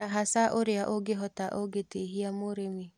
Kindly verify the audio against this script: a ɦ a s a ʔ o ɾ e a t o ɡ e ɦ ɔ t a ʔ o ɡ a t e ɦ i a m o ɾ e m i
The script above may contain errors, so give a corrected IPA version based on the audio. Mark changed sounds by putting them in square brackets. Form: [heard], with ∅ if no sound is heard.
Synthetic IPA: a ɦ a s a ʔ o ɾ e a [ʔ] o ɡ e ɦ ɔ t a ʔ o ɡ [e] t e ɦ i a m o ɾ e m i

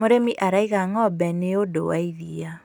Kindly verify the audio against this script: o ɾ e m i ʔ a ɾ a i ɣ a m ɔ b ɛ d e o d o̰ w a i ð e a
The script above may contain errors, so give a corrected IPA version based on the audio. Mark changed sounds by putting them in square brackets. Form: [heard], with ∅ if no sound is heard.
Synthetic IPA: o ɾ e m i ʔ a ɾ a i ɣ a [ŋ] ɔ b ɛ [n] e o d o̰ w a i ð [i] a

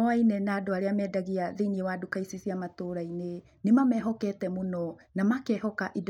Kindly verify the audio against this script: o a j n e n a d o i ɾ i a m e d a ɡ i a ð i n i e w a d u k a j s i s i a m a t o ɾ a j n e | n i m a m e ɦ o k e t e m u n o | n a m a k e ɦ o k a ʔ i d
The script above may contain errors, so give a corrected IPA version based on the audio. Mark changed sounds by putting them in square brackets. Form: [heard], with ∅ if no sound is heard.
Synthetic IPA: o a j n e n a d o [a] ɾ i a m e d a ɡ i a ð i n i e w a d u k a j s i s i a m a t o ɾ a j n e | n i m a m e ɦ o k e t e m u n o | n a m a k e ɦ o k a ʔ i d

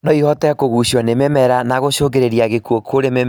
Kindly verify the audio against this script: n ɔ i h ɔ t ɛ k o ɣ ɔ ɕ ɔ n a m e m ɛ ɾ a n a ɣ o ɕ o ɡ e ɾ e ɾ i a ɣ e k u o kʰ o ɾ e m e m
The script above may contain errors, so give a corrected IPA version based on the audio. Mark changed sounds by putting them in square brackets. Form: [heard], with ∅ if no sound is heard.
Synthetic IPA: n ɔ i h ɔ t ɛ k o ɣ [u] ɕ ɔ n [e] m e m ɛ ɾ a n a ɣ o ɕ o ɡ e ɾ e ɾ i a ɣ e k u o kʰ o ɾ e m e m

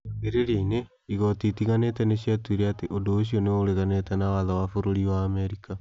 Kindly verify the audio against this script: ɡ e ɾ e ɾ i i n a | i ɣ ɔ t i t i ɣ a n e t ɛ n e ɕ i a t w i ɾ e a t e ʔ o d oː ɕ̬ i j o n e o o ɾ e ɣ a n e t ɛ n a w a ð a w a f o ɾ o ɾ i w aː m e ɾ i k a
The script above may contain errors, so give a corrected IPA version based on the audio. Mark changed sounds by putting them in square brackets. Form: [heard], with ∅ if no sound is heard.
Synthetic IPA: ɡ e ɾ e ɾ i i n [e] | i ɣ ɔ t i t i ɣ a n e t ɛ n e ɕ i a t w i ɾ e a t e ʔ o d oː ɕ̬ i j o n e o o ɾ e ɣ a n e t ɛ n a w a ð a w a f o ɾ o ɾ i w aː m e ɾ i k a

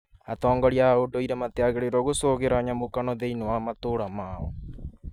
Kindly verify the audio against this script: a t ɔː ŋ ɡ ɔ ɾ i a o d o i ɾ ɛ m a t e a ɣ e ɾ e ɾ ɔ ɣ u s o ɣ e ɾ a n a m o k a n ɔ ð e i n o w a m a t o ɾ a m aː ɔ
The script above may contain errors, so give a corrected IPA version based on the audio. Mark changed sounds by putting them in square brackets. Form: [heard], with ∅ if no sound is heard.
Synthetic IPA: a t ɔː ŋ ɡ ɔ ɾ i a o d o i ɾ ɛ m a t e a ɣ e ɾ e ɾ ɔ ɣ [o] s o ɣ e ɾ a [ɲ] a m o k a n ɔ ð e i n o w a m a t o ɾ a m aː ɔ

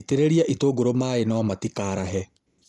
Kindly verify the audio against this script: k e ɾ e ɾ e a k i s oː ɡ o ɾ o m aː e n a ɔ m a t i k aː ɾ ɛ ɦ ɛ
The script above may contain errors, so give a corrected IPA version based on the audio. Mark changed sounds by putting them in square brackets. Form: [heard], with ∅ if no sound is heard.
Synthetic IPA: [t] e ɾ e ɾ [i] a [ʔ] i [t] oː ɡ o ɾ o m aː e n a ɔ m a t i k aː ɾ [a] ɦ ɛ

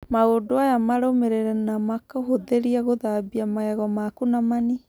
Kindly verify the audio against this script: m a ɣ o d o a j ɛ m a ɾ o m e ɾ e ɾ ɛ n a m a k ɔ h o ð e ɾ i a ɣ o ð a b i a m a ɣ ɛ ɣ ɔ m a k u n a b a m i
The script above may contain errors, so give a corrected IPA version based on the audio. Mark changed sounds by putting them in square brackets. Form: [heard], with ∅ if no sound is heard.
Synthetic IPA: m a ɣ o d o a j [a] m a ɾ o m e ɾ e ɾ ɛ n a m a k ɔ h o ð e ɾ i a ɣ o ð a b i a m a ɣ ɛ ɣ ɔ m a k u n a [m] a [n] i

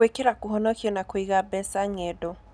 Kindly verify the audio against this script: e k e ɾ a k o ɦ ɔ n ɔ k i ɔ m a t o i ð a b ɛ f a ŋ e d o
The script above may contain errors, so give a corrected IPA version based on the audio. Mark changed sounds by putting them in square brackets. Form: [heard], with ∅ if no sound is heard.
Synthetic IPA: e k e ɾ a k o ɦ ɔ n ɔ k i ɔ [n] a [k] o i [ɣ] a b ɛ [s] a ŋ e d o

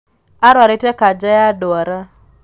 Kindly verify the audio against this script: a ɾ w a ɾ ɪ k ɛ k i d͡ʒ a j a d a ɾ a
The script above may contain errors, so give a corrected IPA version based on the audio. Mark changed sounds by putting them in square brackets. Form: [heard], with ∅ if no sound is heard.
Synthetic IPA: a ɾ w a ɾ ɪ [t] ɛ k [a] d͡ʒ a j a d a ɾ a

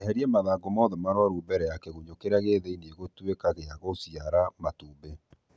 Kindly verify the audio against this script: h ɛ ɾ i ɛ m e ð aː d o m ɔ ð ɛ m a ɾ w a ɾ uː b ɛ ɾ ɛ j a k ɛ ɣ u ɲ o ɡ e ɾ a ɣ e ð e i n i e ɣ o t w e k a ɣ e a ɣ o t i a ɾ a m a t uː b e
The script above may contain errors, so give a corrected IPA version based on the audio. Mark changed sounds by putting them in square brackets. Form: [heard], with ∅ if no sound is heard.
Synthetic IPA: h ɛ ɾ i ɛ m [a] ð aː [ɡ] o m ɔ ð ɛ m a ɾ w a ɾ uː b ɛ ɾ ɛ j a k ɛ ɣ u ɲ o [k] e ɾ a ɣ e ð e i n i e ɣ o t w e k a ɣ e a ɣ o [s] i a ɾ a m a t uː b e

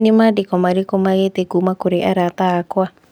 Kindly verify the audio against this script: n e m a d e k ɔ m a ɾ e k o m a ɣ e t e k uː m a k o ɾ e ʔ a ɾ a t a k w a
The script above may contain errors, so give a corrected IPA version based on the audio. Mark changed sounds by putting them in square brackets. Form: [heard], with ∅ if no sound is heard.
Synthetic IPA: n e m a d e k ɔ m a ɾ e k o m a ɣ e t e k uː m a k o ɾ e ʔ a ɾ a t a k w a

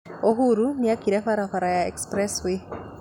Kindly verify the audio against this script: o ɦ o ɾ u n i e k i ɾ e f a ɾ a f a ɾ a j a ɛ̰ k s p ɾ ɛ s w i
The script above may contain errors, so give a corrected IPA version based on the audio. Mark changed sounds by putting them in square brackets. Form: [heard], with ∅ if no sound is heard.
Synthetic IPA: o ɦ [u] ɾ u n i [a] k i ɾ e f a ɾ a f a ɾ a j a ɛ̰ k s p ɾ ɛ s w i

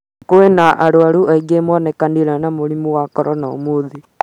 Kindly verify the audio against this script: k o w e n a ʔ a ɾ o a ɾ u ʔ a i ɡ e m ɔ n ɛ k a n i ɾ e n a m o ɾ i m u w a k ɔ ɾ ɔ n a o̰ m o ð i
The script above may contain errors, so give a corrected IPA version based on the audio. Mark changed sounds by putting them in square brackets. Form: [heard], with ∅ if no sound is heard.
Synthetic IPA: k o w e n a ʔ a ɾ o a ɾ u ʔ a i ɡ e m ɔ n ɛ k a n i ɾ [a] n a m o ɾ i m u w a k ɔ ɾ ɔ n a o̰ m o ð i

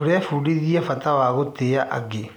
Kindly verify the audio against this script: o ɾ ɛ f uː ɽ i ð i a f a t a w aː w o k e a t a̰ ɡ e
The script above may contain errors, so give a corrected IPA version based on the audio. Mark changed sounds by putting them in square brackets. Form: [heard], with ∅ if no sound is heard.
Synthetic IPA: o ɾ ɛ f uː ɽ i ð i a f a t a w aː [ɣ] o [t] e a [ʔ] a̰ ɡ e

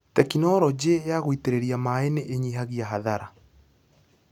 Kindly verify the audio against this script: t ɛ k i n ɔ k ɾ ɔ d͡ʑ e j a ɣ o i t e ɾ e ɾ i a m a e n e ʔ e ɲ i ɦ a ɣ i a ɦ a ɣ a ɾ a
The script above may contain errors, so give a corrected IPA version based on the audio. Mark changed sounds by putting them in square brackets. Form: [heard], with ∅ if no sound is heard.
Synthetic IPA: t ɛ k i n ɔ [∅] ɾ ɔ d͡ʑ e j a ɣ o i t e ɾ e ɾ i a m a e n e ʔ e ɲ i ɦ a ɣ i a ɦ a [ð] a ɾ a

